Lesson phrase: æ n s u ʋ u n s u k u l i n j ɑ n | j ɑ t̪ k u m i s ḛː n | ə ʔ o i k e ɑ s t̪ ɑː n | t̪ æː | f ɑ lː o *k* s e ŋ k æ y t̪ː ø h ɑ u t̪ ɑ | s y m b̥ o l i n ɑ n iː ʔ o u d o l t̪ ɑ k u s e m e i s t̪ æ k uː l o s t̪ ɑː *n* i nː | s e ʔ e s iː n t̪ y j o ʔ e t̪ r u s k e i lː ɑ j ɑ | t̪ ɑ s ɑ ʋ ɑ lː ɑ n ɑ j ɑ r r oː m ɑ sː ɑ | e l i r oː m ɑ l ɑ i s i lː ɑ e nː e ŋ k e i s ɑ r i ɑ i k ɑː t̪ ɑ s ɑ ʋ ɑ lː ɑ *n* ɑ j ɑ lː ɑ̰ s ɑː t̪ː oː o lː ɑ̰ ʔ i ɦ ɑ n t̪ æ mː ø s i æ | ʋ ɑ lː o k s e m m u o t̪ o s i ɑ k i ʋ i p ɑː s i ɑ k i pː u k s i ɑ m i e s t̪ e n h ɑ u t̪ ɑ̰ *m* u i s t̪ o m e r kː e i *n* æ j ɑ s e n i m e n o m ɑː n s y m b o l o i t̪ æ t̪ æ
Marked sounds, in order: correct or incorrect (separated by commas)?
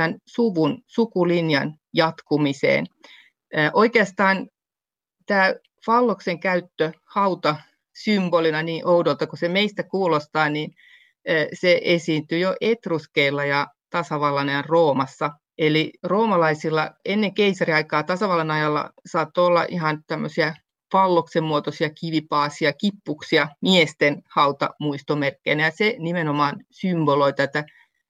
correct, correct, correct, correct, correct